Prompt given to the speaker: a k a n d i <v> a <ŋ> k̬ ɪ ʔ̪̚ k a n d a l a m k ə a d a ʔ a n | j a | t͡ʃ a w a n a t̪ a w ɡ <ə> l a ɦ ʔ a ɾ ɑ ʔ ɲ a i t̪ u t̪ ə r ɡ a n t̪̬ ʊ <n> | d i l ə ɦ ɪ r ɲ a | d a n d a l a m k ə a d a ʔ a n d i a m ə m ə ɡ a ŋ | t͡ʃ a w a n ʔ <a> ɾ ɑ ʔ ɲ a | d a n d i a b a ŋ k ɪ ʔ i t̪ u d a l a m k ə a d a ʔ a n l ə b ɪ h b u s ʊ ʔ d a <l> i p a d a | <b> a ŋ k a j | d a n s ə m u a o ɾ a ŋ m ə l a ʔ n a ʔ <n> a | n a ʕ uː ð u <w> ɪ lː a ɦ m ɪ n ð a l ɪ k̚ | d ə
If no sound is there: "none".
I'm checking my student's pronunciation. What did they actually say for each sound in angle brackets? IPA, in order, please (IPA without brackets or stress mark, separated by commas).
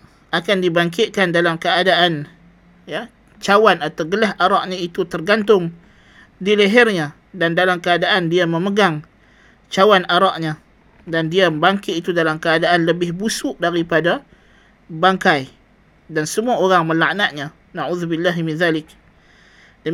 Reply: b, ŋ, ə, ŋ, a, ɾ, b, ɲ, b